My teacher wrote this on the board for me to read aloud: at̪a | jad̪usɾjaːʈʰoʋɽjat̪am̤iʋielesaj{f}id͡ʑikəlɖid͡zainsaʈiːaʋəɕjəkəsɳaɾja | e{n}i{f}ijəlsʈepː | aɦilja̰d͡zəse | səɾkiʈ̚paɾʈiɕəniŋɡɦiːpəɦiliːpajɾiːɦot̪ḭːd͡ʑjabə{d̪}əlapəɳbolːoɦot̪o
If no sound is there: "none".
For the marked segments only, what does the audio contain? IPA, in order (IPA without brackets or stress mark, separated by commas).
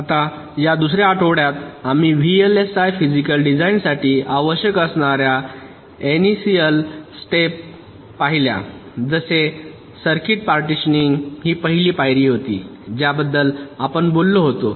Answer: f, n, s, d̪ː